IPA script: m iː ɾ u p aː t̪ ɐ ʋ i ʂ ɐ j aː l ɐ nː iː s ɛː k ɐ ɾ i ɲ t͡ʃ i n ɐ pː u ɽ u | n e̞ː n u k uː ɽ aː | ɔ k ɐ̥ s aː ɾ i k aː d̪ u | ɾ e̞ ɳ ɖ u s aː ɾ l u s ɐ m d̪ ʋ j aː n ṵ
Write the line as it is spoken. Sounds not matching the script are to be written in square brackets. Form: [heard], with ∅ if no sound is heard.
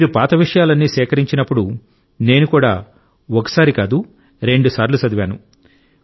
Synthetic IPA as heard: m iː ɾ u p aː t̪ ɐ ʋ i ʂ ɐ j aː l ɐ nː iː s ɛː k ɐ ɾ i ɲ t͡ʃ i n ɐ pː u ɽ u | n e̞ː n u k uː ɽ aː | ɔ k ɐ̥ s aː ɾ i k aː d̪ u | ɾ e̞ ɳ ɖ u s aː ɾ l u s ɐ [∅] d̪ ʋ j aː n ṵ